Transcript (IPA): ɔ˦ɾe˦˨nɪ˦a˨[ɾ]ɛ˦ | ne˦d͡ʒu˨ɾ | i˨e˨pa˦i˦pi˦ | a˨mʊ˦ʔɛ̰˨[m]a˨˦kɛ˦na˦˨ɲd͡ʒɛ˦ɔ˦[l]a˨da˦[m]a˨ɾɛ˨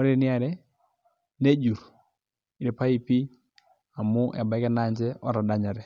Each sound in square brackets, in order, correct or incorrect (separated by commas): correct, incorrect, incorrect, incorrect